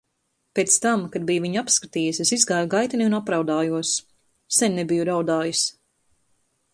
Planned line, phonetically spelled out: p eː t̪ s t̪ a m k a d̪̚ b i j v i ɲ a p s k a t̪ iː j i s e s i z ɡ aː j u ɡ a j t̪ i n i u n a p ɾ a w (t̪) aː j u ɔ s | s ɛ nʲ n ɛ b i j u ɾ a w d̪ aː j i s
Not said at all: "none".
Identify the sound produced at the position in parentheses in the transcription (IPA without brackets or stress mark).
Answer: d̪